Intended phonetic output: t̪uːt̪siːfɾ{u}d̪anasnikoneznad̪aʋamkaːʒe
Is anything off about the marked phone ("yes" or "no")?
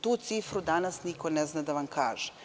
no